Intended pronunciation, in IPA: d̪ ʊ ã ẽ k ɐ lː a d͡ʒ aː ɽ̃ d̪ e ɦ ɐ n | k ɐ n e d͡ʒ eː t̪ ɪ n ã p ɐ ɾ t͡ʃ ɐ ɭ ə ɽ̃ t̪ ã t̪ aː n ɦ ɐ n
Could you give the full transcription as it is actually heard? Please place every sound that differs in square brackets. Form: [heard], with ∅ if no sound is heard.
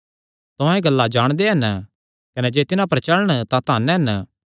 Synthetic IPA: [t̪] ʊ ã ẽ [ɡ] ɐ lː a d͡ʒ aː ɽ̃ d̪ e ɦ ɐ n | k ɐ n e d͡ʒ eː t̪ ɪ n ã p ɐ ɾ t͡ʃ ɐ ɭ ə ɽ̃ t̪ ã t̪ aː n ɦ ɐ n